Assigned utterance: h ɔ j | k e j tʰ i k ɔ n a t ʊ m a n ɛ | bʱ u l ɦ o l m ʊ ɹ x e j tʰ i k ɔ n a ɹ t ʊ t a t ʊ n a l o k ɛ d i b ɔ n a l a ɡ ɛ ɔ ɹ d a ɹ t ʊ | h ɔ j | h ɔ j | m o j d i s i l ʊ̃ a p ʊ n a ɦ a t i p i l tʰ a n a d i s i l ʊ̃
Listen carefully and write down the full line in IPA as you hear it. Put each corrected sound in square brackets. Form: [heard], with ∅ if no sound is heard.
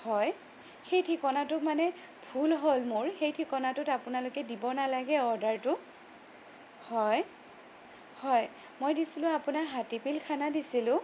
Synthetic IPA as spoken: h ɔ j | [x] e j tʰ i k ɔ n a t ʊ m a n ɛ | bʱ u l ɦ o l m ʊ ɹ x e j tʰ i k ɔ n a [∅] t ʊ t a [p] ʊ n a l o k ɛ d i b ɔ n a l a ɡ ɛ ɔ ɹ d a ɹ t ʊ | h ɔ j | h ɔ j | m o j d i s i l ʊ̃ a p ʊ n a ɦ a t i p i l [kʰ] a n a d i s i l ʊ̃